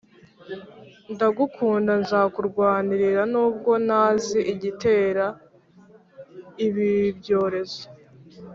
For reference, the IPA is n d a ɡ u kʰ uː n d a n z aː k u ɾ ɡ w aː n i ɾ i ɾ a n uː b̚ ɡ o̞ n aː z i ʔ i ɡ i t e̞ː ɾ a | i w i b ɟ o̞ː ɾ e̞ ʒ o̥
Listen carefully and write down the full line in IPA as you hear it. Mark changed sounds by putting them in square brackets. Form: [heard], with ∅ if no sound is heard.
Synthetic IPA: n d a ɡ u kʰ uː n d a n z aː k u ɾ ɡ w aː n i ɾ i ɾ a n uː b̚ ɡ o̞ n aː z i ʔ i [ɟ] i t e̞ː ɾ a | i [β] i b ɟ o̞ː ɾ e̞ [z] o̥